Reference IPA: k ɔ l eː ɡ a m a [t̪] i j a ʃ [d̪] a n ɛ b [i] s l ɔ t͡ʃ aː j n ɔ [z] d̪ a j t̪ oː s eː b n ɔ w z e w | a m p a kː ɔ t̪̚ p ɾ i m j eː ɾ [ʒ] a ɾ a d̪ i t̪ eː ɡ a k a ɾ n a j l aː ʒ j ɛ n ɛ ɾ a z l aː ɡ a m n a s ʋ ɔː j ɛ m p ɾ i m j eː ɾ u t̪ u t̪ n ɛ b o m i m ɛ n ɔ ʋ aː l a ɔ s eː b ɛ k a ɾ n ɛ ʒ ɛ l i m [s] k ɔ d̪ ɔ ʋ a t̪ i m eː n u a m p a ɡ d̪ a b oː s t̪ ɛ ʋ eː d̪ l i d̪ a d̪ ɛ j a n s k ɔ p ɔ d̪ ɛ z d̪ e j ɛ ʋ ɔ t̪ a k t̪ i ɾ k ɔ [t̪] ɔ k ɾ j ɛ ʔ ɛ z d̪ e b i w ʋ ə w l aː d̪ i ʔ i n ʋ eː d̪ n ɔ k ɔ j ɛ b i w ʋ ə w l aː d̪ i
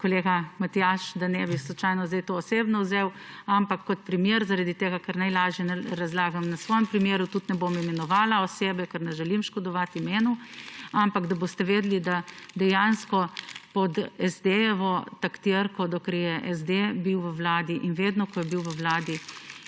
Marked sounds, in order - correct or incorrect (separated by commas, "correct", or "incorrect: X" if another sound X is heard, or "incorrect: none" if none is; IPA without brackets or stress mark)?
correct, correct, correct, correct, incorrect: z, incorrect: ʃ, incorrect: d̪